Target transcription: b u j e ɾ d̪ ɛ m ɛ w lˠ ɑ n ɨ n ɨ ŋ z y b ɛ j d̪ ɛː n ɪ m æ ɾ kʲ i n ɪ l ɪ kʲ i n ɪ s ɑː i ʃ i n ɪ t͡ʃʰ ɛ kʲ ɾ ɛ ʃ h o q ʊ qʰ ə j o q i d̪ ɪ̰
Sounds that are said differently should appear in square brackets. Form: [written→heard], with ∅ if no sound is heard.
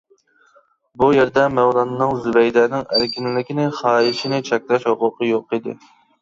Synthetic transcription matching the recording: b u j e ɾ d̪ ɛ m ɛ w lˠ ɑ n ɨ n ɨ ŋ z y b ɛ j d̪ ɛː n ɪ [m→ŋ] æ ɾ kʲ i n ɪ l ɪ kʲ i n ɪ [s→χ] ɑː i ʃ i n ɪ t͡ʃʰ ɛ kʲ [ɾ→l] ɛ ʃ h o q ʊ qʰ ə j o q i d̪ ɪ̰